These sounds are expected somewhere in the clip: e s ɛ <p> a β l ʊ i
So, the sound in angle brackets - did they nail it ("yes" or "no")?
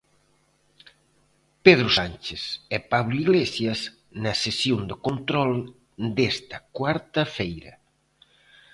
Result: yes